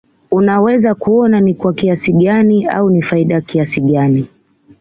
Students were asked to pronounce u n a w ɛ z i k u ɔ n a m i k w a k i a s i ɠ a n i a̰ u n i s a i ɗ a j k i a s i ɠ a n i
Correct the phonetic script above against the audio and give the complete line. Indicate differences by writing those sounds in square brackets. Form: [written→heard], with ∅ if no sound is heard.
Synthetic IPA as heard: u n a w ɛ z [i→a] k u ɔ n a [m→n] i k w a k i a s i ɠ a n i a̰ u n i [s→f] a i ɗ a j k i a s i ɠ a n i